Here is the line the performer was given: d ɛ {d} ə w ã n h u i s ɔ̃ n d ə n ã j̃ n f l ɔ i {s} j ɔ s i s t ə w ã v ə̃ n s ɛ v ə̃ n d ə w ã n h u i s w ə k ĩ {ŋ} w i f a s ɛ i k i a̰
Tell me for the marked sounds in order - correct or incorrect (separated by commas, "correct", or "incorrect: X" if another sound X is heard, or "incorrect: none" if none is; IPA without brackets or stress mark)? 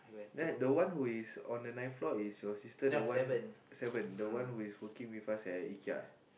correct, correct, correct